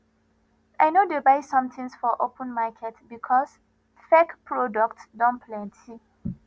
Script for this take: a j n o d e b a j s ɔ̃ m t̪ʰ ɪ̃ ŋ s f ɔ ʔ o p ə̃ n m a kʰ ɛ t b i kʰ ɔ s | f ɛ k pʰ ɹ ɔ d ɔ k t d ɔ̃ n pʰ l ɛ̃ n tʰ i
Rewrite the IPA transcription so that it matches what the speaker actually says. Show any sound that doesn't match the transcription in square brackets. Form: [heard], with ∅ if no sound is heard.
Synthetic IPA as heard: a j n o d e b a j s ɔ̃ m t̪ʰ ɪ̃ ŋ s f ɔ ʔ o p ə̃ n m a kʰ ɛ t b i kʰ ɔ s | f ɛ k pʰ ɹ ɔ d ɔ k t d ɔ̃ n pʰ l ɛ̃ n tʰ i